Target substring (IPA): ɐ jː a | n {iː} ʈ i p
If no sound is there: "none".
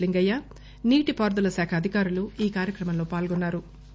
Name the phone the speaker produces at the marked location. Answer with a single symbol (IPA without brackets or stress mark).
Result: iː